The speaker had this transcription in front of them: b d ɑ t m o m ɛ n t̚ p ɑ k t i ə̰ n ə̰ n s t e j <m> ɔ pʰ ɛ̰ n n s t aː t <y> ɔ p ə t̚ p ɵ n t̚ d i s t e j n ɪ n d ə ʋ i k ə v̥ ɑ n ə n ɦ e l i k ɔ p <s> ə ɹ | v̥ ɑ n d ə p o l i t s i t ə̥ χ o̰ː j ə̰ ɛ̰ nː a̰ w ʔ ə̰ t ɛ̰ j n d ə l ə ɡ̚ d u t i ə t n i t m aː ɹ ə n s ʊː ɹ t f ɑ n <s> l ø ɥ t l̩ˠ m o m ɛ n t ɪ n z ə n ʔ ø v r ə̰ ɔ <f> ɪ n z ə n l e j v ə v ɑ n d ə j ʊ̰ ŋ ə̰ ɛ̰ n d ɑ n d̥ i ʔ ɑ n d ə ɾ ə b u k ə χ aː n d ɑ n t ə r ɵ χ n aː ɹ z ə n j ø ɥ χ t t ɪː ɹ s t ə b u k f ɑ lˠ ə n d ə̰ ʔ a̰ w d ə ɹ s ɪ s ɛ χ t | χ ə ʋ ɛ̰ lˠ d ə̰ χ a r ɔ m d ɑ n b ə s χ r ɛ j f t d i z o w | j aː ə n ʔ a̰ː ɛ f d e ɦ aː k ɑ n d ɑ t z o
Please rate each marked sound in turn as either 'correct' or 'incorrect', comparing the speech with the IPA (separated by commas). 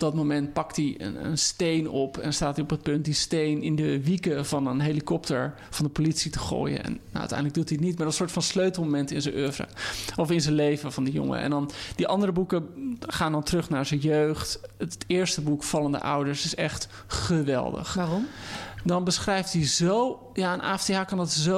incorrect, incorrect, incorrect, correct, correct